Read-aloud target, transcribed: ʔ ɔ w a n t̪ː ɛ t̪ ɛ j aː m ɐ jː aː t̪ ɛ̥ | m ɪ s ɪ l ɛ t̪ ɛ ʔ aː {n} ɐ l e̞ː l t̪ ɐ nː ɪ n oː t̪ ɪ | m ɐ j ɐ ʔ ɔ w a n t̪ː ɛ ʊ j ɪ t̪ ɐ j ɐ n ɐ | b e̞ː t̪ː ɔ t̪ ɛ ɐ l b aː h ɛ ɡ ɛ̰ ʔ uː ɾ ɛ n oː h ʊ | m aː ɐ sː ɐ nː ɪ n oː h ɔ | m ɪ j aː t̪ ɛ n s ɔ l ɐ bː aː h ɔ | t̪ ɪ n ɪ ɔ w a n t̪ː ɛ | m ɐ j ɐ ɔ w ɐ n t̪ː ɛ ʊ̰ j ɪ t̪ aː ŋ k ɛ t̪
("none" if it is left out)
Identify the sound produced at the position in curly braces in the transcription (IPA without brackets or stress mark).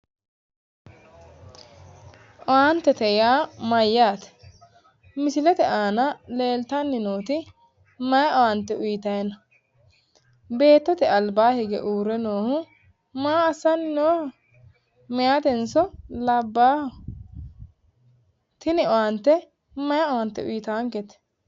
n